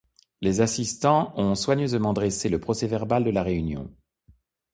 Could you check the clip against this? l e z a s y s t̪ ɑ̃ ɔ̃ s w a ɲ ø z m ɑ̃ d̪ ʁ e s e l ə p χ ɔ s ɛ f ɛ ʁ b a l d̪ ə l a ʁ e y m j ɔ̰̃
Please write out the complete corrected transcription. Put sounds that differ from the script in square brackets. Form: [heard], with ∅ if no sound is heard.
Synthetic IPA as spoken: l e z a s [i] s t̪ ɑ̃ ɔ̃ s w a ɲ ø z m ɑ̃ d̪ ʁ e s e l ə p χ ɔ s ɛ [v] ɛ ʁ b a l d̪ ə l a ʁ e y [n] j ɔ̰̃